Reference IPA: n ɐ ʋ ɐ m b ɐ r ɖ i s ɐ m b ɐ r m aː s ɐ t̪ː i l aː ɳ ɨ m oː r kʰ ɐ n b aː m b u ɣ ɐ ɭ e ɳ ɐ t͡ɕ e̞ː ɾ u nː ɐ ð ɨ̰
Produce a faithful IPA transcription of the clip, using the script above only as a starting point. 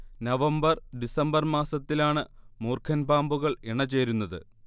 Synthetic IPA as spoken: n ɐ ʋ ɐ m b ɐ r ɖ i s ɐ m b ɐ r m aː s ɐ t̪ː i l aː ɳ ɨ m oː r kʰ ɐ n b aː m b u ɣ ɐ ɭ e ɳ ɐ t͡ɕ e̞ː ɾ u nː ɐ ð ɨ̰